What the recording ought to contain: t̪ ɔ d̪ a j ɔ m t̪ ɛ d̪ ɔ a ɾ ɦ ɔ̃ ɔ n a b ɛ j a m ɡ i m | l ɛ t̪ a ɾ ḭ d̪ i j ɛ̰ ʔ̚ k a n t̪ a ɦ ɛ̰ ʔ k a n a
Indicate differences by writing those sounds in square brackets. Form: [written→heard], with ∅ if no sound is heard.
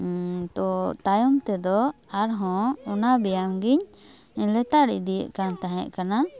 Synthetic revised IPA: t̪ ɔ [d̪→t̪] a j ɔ m t̪ ɛ d̪ ɔ a ɾ ɦ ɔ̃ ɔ n a b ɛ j a m ɡ i [m→ɲ] | l ɛ t̪ a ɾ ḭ d̪ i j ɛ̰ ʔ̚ k a n t̪ a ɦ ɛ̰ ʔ k a n a